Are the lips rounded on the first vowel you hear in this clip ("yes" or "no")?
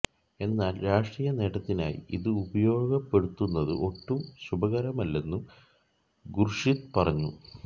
no